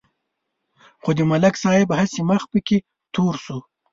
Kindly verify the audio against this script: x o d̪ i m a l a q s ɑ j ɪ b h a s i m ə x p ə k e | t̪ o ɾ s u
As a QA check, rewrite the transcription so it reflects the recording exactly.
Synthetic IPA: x o d̪ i m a l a k s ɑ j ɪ b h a s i m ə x p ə k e | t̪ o ɾ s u